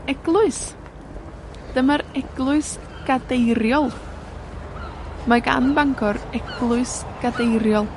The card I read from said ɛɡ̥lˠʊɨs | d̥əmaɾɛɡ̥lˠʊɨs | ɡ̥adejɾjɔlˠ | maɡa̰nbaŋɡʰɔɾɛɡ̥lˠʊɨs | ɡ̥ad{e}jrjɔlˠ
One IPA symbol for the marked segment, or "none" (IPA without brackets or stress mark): e